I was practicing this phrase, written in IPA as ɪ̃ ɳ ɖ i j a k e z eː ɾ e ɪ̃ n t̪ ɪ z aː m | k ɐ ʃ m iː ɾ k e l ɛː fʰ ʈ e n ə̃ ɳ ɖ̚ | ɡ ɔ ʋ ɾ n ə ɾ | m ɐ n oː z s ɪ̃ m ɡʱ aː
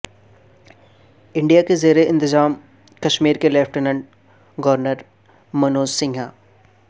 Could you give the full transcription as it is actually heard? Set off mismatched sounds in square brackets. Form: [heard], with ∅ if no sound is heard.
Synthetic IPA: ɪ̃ ɳ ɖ i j a k e z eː ɾ e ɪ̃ n t̪ ɪ z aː m | k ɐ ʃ m iː ɾ k e l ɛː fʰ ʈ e n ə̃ ɳ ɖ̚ | ɡ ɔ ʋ ɾ n ə ɾ | m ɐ n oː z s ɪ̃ [ŋ] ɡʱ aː